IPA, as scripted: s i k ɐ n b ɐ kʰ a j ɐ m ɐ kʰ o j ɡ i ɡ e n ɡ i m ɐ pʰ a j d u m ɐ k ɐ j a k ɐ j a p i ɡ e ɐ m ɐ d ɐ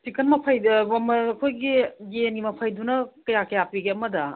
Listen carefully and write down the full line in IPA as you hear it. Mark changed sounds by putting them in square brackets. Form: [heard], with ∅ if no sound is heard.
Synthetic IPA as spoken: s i k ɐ n [m] ɐ [pʰ] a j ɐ m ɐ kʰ o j ɡ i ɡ e n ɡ i m ɐ pʰ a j d u [n] ɐ k ɐ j a k ɐ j a p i ɡ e ɐ m ɐ d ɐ